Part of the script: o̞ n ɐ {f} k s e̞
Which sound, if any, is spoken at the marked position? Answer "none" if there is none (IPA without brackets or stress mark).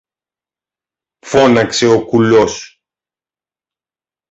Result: none